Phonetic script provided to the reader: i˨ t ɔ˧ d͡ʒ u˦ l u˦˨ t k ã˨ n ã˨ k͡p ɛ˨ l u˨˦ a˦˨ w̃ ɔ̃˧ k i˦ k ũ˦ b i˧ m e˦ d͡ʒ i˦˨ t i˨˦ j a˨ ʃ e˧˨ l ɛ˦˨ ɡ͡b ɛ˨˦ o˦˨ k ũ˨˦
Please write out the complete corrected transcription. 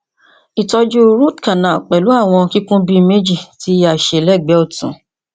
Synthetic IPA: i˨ t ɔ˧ d͡ʒ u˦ ɾ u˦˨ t k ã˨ n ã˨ k͡p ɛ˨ l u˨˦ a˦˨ w̃ ɔ̃˧ k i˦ k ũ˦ b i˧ m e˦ d͡ʒ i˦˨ t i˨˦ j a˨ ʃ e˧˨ l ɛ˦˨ ɡ͡b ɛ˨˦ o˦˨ t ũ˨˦